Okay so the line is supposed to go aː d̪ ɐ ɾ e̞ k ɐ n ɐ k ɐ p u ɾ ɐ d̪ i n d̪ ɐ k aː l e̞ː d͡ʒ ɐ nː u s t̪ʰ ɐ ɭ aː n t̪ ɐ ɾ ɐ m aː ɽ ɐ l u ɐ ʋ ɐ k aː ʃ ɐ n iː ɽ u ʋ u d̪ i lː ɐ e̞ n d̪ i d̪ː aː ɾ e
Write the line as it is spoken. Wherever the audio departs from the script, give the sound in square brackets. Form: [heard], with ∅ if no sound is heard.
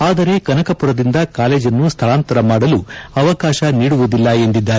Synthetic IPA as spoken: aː d̪ ɐ ɾ e̞ k ɐ n ɐ k ɐ p u ɾ ɐ d̪ i n d̪ ɐ k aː l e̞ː d͡ʒ ɐ nː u s t̪ʰ ɐ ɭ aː n t̪ ɐ ɾ ɐ m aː ɽ ɐ l u ɐ ʋ ɐ k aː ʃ ɐ n iː ɽ u ʋ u d̪ i lː ɐ e̞ n d̪ i d̪ː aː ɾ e